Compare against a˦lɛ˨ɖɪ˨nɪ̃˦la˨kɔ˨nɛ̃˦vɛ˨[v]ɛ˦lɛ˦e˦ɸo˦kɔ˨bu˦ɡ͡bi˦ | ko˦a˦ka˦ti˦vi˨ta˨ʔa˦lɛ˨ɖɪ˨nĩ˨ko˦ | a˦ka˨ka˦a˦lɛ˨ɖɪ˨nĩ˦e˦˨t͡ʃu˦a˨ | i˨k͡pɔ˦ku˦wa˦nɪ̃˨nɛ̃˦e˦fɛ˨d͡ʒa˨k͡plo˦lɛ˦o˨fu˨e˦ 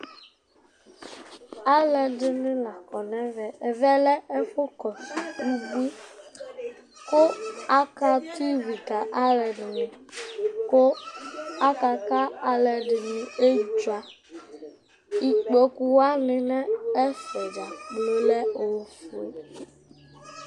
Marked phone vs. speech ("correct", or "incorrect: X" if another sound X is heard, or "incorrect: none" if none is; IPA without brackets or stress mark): correct